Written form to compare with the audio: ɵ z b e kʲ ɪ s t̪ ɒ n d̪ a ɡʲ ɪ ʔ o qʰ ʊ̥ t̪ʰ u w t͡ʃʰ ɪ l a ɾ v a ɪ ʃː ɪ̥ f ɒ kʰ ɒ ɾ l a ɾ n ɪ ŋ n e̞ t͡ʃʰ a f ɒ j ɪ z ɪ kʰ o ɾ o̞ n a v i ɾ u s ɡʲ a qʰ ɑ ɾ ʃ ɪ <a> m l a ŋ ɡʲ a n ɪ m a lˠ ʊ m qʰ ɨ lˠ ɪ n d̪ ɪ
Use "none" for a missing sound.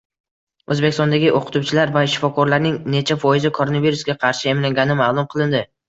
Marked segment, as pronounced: e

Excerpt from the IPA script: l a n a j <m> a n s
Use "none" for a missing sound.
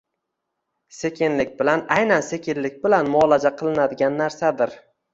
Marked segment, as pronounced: n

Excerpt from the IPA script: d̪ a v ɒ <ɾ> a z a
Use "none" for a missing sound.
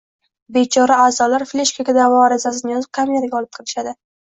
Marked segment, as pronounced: ɾ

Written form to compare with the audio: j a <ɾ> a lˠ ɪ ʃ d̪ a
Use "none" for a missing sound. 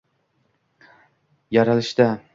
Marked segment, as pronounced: ɾ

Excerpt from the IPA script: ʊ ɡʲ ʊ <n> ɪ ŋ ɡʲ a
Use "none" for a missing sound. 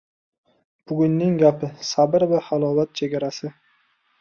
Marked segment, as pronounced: nː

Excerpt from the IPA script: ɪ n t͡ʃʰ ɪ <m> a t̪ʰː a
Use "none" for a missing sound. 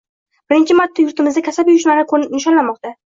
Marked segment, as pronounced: m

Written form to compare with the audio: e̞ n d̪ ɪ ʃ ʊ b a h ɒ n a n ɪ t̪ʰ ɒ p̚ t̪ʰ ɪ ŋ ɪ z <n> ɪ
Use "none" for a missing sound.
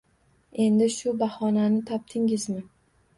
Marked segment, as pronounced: m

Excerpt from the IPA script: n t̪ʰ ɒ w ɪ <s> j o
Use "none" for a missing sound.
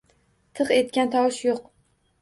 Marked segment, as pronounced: ʃ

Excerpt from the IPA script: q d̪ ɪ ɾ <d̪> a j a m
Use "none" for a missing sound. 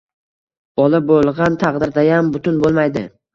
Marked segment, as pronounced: d̪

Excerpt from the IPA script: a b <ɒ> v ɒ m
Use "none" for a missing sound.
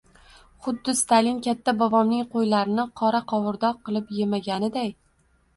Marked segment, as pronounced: ɒ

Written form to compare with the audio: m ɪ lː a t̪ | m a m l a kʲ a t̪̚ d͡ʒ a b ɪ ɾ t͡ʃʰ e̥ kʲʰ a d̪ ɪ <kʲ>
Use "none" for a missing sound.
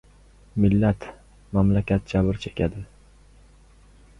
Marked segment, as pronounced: none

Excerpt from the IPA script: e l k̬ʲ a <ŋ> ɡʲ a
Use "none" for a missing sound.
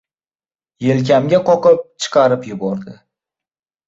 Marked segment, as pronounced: m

